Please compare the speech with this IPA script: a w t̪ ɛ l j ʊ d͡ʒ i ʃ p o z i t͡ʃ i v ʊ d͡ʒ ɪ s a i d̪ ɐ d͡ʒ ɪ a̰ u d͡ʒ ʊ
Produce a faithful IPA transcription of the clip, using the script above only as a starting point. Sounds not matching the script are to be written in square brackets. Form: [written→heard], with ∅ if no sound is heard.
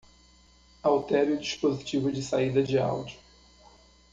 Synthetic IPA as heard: a w t̪ ɛ [l→ɾ] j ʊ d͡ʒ i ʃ p o z i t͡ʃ i v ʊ d͡ʒ ɪ s a i d̪ ɐ d͡ʒ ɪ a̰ [u→w] d͡ʒ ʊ